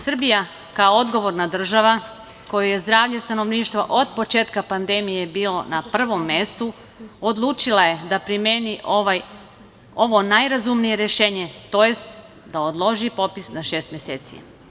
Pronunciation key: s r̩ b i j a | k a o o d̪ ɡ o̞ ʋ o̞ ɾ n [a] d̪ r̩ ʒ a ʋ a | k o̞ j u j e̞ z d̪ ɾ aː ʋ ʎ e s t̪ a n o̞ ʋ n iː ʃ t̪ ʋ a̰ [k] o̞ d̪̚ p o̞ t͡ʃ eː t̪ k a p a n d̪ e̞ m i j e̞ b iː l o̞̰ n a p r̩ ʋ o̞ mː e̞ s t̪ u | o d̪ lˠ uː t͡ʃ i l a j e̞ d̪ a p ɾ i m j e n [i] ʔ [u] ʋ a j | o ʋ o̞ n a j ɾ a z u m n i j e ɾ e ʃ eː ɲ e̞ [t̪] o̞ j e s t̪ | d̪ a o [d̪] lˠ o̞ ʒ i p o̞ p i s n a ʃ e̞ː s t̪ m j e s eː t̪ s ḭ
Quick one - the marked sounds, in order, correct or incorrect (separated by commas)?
correct, incorrect, correct, incorrect, correct, correct